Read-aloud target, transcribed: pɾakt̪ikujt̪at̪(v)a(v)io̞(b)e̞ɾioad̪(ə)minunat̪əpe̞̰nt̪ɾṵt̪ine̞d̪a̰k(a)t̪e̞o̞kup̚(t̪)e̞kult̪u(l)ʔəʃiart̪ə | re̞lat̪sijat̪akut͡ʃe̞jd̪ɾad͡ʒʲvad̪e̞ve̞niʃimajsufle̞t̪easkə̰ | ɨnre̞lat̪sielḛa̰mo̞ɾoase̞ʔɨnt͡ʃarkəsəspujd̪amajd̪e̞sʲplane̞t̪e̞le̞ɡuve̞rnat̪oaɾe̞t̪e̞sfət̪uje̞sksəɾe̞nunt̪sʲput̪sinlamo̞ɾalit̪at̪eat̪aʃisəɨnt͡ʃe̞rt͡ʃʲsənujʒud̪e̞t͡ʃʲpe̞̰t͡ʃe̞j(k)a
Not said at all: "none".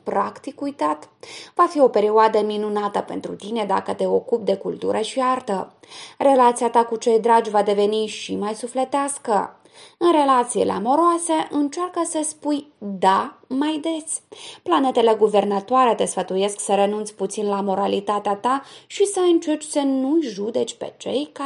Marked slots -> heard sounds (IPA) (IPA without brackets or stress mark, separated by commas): v, f, p, ə, ə, d̪, ɾ, k